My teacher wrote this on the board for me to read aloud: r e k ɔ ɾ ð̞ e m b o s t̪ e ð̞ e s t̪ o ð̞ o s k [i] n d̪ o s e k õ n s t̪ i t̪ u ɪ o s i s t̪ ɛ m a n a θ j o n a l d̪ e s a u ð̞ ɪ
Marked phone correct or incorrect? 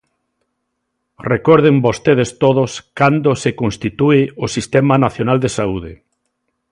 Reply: incorrect